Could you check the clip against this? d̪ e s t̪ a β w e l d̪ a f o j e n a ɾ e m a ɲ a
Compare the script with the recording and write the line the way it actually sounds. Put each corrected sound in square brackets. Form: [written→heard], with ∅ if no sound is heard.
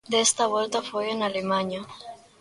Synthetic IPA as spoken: d̪ e s t̪ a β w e l [d̪→t̪] a f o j e n a [ɾ→l] e m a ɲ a